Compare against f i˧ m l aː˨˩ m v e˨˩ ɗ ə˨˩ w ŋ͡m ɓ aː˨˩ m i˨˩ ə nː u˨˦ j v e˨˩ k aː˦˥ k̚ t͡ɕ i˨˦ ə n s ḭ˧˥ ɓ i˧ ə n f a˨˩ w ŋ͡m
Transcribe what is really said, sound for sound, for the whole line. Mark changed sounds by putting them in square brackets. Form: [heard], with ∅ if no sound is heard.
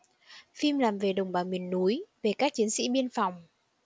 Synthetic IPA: f i˧ m l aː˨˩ m v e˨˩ ɗ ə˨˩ w ŋ͡m ɓ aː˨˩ m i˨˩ ə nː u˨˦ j v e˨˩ k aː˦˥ k̚ t͡ɕ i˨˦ ə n s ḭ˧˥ ɓ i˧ ə n f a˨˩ w ŋ͡m